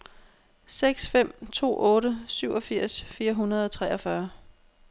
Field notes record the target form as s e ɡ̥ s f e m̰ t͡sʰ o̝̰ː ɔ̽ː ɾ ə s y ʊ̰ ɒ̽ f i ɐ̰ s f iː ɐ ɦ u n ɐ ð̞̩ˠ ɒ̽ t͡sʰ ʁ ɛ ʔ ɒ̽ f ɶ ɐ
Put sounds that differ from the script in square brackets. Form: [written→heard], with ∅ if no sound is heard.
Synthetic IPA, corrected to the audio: s e ɡ̥ s f e m̰ t͡sʰ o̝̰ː ɔ̽ː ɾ ə s y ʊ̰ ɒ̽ f i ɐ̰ s f iː ɐ ɦ u n ɐ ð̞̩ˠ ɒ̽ t͡sʰ ʁ ɛ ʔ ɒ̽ f ɶ ɐ